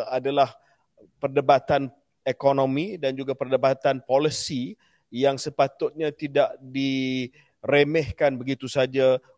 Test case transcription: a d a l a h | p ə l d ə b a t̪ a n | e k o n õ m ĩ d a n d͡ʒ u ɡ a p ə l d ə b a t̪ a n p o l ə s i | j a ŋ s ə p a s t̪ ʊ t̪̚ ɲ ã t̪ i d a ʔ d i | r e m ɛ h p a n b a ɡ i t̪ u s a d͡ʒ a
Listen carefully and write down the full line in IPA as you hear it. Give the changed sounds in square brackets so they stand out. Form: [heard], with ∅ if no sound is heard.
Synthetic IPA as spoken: a d a l a h | p ə [r] d ə b a t̪ a n | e k o n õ m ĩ d a n d͡ʒ u ɡ a p ə [r] d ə b a t̪ a n p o l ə s i | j a ŋ s ə p a [∅] t̪ ʊ t̪̚ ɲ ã t̪ i d a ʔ d i | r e m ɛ h [k] a n b [ə] ɡ i t̪ u s a d͡ʒ a